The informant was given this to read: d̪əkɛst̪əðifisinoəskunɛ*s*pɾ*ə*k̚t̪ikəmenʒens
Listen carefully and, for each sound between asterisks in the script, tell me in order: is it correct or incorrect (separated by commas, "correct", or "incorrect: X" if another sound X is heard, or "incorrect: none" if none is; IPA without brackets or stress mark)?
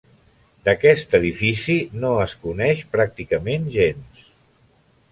incorrect: ʃ, incorrect: a